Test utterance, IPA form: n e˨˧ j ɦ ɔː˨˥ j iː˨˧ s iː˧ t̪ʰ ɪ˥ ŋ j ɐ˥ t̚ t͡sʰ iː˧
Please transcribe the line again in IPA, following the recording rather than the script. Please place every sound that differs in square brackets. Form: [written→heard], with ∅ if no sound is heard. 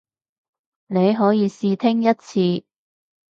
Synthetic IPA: n e˨˧ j ɦ ɔː˨˥ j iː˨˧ s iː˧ t̪ʰ ɪ˥ ŋ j ɐ˥ t̚ t͡sʰ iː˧

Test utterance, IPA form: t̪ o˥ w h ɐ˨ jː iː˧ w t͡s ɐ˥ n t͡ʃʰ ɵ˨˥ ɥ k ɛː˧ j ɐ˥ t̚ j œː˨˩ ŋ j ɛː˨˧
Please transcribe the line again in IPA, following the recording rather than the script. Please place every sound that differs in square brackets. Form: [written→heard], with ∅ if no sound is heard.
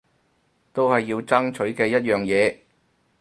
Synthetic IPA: t̪ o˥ w h ɐ˨ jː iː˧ w t͡s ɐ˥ [n→ŋ] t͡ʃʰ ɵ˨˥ ɥ k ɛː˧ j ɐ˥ t̚ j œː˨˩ ŋ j ɛː˨˧

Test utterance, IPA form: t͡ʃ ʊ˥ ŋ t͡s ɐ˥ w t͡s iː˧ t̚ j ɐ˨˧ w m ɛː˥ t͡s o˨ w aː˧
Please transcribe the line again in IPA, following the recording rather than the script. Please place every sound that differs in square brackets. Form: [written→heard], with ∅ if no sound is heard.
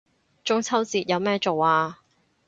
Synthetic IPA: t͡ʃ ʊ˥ ŋ [t͡s→t͡sʰ] ɐ˥ w t͡s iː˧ t̚ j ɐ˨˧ w m ɛː˥ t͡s o˨ w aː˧

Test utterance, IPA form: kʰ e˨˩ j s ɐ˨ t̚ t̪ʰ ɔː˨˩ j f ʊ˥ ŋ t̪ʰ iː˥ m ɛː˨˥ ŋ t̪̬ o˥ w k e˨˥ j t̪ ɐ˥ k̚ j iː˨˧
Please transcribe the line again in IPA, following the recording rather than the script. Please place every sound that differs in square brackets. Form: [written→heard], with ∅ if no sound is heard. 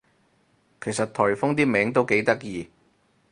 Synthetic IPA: kʰ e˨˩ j s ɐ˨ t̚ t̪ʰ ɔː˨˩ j f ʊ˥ ŋ [t̪ʰ→t̪] iː˥ m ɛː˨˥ ŋ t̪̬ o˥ w k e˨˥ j t̪ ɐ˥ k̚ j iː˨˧

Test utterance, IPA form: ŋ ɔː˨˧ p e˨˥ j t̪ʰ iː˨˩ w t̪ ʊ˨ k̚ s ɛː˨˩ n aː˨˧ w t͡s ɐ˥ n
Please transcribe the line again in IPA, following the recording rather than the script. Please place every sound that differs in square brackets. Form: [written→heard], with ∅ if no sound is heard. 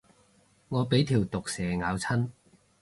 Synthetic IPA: ŋ ɔː˨˧ p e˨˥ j t̪ʰ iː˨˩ w t̪ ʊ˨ k̚ s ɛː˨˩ [n→ŋ] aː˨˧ w [t͡s→t͡sʰ] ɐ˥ n

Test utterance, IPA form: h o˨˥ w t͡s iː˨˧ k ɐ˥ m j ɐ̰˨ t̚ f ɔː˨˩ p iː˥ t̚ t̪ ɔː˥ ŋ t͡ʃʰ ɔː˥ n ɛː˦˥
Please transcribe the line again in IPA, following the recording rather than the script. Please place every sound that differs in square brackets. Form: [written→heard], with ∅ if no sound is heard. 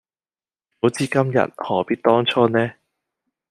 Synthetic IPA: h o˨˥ w t͡s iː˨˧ k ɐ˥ m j ɐ̰˨ t̚ [f→h] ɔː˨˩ p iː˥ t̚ t̪ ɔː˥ ŋ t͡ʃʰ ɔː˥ n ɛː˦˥

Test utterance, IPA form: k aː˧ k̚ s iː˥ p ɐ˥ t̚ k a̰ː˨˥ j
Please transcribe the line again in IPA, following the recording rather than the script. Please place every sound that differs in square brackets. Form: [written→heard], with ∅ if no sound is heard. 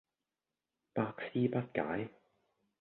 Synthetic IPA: [k→p] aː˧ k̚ s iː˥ p ɐ˥ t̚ k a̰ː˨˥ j

